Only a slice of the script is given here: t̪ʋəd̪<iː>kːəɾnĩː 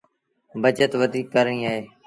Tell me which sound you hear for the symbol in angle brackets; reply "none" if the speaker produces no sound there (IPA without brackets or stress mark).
iː